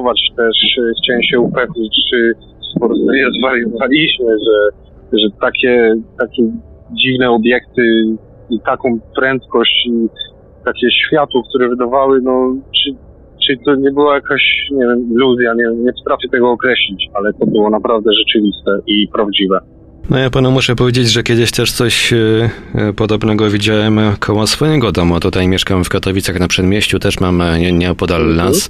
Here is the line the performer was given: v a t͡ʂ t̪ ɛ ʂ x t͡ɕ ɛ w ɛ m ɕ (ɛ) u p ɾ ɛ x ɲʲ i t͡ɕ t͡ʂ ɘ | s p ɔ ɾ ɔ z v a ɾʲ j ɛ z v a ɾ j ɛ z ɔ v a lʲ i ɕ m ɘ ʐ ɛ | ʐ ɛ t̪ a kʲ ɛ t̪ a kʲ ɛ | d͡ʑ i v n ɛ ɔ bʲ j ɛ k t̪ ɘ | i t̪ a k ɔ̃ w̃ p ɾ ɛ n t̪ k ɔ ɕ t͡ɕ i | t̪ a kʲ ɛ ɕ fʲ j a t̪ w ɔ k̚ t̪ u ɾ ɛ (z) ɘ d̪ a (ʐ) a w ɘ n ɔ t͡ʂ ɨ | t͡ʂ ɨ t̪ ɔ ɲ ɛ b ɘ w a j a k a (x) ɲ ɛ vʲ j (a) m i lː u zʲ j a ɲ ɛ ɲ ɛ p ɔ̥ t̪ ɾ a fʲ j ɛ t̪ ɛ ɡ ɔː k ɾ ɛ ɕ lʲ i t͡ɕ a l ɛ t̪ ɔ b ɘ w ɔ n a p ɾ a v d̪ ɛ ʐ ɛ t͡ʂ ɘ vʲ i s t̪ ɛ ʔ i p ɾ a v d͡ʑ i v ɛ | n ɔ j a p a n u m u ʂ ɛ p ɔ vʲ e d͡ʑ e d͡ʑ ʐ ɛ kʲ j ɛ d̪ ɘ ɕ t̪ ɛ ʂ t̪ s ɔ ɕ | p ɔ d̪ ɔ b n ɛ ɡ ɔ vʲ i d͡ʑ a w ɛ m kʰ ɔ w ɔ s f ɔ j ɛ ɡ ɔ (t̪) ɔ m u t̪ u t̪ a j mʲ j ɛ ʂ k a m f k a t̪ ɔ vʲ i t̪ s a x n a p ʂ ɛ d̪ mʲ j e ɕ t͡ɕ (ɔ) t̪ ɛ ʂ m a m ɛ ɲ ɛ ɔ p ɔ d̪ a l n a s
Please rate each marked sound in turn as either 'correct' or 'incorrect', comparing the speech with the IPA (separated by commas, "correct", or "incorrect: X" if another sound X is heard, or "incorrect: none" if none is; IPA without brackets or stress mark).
correct, incorrect: v, incorrect: v, incorrect: ɕ, incorrect: ɛ, incorrect: d̪, incorrect: u